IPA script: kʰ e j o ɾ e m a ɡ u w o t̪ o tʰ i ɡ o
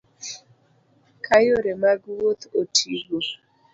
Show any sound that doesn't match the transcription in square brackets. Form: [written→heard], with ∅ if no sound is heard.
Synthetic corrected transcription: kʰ [e→a] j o ɾ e m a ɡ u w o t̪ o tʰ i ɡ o